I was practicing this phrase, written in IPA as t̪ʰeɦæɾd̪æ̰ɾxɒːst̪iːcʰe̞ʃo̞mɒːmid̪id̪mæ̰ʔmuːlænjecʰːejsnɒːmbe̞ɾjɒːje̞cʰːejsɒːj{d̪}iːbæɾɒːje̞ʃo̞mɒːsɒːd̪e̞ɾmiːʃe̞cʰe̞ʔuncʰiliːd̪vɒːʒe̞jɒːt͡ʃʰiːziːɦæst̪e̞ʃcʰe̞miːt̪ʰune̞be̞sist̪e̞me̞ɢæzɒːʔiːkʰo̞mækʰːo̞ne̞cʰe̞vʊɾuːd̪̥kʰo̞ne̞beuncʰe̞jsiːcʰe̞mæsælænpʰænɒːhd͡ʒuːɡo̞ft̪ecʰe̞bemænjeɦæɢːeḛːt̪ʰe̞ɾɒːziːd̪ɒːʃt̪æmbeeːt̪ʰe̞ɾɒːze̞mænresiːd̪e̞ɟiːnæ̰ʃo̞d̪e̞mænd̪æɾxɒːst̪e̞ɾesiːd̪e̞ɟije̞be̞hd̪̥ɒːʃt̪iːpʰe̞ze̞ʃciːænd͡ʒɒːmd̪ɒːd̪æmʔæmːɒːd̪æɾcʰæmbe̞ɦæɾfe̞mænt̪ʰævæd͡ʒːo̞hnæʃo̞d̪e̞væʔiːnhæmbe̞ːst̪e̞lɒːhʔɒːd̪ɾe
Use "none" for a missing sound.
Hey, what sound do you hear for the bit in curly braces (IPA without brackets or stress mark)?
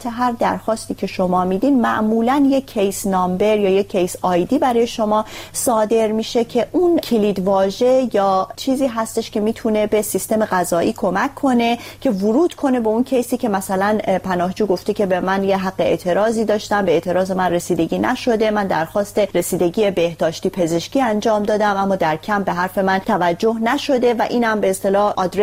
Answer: d̪